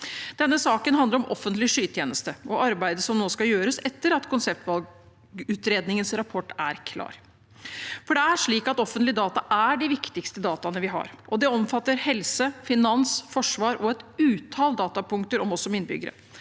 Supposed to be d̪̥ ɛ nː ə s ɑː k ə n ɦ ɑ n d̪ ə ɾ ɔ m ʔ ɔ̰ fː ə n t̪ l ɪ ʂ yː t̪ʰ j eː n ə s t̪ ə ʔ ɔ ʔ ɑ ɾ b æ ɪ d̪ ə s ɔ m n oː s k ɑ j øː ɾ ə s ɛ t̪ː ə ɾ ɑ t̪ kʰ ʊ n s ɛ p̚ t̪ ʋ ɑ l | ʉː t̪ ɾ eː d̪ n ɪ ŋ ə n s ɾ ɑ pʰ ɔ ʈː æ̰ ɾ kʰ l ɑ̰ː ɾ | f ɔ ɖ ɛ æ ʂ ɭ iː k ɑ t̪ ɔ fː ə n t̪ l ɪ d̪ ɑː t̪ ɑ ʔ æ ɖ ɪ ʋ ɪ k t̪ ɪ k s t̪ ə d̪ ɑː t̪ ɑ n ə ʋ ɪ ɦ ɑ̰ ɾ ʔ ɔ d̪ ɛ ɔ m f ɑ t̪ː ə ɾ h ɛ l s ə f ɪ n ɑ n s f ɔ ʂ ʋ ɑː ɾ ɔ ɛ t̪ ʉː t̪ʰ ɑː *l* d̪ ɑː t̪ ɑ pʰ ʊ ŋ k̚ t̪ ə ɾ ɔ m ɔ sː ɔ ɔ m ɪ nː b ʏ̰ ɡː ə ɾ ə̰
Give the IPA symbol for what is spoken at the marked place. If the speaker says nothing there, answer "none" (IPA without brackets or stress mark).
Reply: l